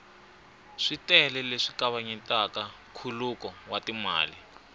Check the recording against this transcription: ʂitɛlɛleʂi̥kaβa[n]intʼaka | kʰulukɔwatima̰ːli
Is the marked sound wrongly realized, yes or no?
yes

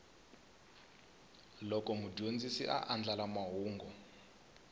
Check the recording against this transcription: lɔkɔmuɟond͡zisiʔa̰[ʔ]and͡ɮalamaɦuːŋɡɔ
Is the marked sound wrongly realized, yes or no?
no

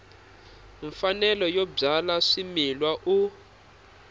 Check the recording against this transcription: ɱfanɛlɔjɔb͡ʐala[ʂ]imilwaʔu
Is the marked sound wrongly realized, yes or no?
no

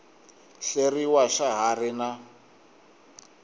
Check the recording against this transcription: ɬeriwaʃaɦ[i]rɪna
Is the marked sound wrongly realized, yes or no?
yes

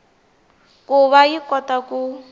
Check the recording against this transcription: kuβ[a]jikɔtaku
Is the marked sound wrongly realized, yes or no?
no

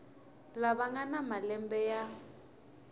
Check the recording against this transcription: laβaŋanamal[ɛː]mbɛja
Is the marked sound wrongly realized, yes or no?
yes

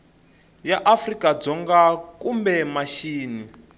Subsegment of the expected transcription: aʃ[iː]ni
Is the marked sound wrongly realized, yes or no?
no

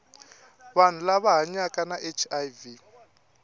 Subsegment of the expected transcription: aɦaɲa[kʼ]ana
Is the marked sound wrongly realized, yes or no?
no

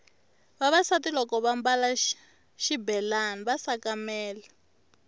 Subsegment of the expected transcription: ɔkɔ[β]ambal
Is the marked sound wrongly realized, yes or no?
no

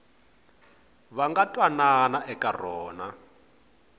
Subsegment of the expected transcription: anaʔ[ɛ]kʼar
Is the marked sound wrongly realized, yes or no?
no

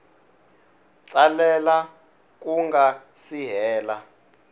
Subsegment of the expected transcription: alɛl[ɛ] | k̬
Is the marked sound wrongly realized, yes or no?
yes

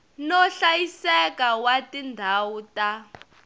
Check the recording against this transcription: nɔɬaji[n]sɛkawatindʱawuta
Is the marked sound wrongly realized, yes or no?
yes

